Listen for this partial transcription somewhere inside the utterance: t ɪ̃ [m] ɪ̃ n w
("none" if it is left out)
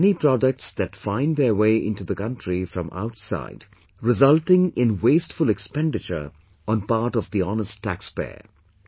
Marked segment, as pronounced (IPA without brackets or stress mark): ŋ